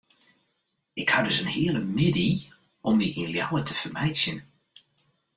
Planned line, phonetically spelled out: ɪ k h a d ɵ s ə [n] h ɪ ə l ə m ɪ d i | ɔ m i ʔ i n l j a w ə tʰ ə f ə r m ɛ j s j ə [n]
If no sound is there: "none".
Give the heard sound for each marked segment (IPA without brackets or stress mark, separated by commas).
n, n